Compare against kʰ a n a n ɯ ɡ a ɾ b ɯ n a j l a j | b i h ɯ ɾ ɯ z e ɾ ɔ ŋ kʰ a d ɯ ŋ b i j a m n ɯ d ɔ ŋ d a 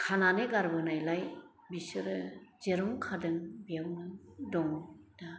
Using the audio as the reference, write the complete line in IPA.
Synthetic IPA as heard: kʰ a n a n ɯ ɡ a ɾ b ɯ n a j l a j | b i s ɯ ɾ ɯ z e ɾ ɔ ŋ kʰ a d ɯ ŋ b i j a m n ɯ d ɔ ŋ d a